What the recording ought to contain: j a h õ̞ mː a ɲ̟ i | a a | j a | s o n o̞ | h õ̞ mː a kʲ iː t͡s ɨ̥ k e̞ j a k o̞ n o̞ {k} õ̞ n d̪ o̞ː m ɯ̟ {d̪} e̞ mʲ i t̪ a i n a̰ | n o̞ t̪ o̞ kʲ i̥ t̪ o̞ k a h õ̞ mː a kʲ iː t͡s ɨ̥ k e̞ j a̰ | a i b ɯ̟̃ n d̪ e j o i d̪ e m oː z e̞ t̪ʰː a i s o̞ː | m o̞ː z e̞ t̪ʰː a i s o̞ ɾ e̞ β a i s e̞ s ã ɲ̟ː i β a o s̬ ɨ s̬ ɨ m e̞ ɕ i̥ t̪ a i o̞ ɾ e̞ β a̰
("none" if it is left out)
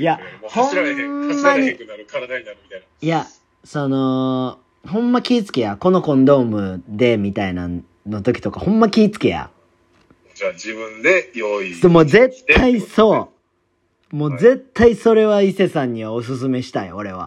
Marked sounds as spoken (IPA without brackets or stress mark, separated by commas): k, d̪